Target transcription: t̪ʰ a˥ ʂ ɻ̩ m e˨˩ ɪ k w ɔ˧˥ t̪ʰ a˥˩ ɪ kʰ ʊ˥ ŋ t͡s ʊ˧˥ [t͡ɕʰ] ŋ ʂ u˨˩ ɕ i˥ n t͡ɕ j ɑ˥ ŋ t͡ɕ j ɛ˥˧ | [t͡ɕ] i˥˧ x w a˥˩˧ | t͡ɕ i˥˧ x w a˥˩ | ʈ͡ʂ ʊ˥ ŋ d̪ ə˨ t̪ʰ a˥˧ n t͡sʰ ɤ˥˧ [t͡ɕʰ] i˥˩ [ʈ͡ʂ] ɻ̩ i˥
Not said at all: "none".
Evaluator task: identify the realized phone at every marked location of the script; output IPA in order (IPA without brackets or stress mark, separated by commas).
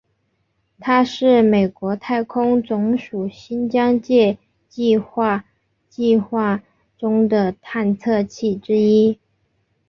none, t͡ɕ, t͡ɕʰ, ʈ͡ʂ